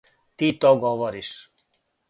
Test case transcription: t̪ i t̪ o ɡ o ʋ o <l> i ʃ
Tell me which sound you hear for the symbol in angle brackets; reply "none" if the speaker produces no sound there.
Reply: ɾ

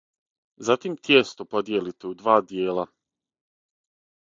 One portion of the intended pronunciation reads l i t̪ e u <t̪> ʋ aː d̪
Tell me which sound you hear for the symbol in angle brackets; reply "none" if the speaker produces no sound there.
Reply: d̪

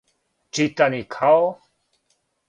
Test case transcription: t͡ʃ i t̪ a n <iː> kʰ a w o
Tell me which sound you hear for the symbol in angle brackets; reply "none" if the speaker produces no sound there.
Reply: i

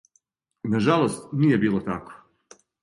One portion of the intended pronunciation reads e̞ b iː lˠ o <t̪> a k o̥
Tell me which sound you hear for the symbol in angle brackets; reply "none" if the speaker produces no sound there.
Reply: t̪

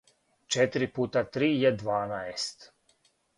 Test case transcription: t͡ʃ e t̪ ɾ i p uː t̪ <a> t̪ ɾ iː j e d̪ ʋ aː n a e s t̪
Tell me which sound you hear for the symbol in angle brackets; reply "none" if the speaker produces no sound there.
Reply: a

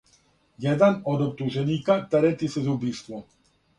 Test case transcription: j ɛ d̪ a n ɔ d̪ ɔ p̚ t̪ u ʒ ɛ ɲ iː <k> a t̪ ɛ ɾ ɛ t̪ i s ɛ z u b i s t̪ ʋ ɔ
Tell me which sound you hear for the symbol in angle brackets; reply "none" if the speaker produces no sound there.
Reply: k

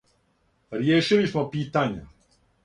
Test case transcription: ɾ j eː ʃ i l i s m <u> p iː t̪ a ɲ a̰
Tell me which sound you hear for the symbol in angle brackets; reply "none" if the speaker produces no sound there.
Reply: o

